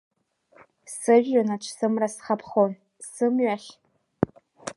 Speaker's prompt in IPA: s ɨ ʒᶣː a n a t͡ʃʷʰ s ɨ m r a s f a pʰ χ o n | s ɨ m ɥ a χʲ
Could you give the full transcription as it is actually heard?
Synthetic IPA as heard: s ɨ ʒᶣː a n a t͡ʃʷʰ s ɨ m r a s χ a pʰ χ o n | s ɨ m ɥ a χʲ